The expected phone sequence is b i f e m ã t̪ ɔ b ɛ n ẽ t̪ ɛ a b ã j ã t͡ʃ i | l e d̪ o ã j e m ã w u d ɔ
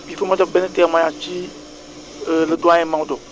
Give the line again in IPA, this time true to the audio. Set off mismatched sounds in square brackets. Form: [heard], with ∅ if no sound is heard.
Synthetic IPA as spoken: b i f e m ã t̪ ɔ b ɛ n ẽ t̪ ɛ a [m] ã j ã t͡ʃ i | l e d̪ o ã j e m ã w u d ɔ